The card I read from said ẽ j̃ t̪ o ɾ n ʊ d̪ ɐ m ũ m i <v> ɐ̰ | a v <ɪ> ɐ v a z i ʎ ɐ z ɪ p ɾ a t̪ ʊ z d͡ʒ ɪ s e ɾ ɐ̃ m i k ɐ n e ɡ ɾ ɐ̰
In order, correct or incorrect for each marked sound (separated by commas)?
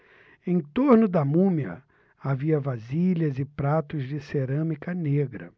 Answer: incorrect, incorrect